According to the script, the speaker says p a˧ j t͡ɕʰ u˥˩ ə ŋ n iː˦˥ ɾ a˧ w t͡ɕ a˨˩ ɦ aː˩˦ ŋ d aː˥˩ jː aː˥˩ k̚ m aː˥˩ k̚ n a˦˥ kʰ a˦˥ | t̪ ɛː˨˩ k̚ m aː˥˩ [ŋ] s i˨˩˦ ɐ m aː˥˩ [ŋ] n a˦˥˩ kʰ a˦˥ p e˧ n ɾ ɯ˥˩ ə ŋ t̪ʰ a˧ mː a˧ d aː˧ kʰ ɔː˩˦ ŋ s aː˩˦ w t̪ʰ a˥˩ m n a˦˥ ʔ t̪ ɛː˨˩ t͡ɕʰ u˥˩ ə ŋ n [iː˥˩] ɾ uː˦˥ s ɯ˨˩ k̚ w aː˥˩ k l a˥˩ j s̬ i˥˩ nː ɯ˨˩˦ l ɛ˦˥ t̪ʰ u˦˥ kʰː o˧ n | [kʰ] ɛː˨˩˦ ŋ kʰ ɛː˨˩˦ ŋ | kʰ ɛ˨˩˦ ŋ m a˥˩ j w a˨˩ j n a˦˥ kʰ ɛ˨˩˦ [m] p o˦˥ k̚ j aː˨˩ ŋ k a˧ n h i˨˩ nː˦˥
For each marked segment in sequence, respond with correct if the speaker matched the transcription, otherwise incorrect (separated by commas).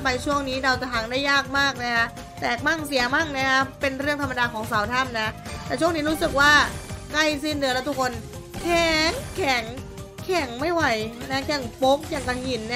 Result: correct, correct, incorrect, correct, incorrect